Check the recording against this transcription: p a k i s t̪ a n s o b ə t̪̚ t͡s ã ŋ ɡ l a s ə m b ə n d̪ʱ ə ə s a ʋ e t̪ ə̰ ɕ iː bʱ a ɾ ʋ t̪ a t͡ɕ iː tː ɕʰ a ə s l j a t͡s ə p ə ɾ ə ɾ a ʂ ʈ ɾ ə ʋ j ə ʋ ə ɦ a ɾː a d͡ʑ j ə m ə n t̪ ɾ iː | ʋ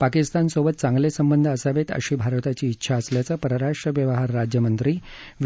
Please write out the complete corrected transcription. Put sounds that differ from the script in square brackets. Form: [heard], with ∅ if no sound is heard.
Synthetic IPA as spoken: p a k i s t̪ a n s o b ə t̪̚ t͡s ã ŋ ɡ l [e] s ə m b ə n d̪ʱ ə ə s a ʋ e t̪ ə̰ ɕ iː bʱ a ɾ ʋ t̪ a t͡ɕ iː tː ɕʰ a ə s l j a t͡s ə p ə ɾ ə ɾ a ʂ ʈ ɾ ə ʋ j ə ʋ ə ɦ a ɾː a d͡ʑ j ə m ə n t̪ ɾ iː | ʋ